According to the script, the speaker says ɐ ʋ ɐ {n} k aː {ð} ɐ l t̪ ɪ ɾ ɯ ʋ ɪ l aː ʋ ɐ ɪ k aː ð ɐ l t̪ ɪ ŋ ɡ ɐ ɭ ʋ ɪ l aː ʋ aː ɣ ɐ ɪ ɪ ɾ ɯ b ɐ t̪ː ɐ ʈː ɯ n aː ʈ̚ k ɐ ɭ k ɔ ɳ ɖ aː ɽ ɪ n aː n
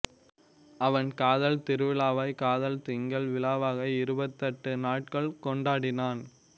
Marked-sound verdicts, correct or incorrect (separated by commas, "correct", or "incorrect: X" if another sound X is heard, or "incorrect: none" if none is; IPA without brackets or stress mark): correct, correct